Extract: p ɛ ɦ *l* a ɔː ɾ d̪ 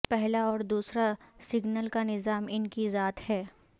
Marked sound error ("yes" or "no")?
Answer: no